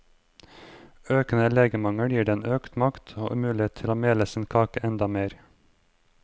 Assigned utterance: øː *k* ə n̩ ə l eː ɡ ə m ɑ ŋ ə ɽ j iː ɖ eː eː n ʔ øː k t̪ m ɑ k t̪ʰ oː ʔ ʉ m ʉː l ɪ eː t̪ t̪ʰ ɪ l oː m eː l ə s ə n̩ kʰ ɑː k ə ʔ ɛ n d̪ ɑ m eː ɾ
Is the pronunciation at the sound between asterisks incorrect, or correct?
correct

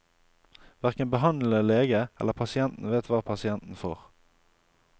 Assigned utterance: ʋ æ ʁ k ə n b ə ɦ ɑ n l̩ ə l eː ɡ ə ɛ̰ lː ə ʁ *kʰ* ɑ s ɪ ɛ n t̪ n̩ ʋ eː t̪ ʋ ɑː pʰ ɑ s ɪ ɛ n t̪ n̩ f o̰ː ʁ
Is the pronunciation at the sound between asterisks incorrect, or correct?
incorrect: pʰ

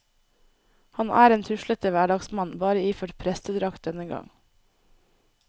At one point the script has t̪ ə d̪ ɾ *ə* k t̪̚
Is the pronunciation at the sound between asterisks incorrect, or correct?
incorrect: ɑ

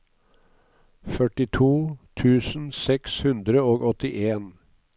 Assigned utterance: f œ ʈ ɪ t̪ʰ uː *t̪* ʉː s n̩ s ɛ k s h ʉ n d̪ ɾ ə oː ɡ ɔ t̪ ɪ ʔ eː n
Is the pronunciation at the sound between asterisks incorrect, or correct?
incorrect: t̪ʰ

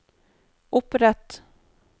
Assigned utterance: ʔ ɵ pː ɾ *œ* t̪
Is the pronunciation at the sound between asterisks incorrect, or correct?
incorrect: ɛ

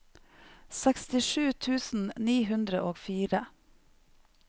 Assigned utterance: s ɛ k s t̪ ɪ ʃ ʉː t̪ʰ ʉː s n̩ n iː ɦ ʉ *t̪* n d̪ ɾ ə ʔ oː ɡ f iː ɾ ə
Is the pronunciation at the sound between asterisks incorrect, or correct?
incorrect: none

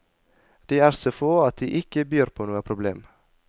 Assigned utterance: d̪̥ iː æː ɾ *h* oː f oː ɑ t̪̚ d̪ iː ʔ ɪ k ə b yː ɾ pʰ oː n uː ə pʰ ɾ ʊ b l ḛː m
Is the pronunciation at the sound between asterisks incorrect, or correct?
incorrect: s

